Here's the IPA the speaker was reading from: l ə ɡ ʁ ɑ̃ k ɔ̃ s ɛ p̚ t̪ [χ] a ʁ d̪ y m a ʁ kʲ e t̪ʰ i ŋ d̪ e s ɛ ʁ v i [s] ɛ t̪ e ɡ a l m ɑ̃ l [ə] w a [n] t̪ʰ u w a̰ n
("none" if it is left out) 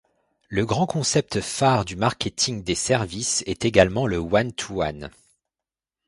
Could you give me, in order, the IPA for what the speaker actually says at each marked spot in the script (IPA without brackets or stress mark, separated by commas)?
f, s, ə, n